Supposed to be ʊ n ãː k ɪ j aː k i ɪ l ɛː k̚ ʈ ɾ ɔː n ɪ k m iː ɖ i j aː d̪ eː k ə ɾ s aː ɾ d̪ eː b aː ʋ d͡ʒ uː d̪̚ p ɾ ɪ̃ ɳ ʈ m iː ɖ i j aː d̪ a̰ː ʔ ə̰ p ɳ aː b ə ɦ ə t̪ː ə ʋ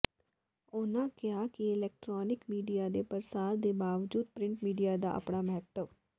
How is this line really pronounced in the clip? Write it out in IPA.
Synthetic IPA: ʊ n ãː k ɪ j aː k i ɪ l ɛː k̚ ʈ ɾ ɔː n ɪ k m iː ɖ i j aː d̪ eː p ə ɾ s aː ɾ d̪ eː b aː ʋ d͡ʒ uː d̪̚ p ɾ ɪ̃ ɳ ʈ m iː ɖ i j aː d̪ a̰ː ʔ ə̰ p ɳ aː m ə ɦ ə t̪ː ə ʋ